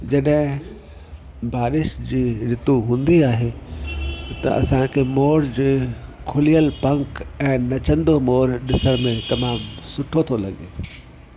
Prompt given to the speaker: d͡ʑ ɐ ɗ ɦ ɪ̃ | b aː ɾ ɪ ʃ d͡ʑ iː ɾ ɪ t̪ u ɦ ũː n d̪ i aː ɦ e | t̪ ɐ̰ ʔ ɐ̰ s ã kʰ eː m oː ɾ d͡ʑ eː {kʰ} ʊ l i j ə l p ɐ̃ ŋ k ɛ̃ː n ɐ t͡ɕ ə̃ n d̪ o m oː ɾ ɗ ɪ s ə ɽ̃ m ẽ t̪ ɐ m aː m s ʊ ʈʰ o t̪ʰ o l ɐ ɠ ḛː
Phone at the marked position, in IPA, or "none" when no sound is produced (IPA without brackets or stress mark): kʰ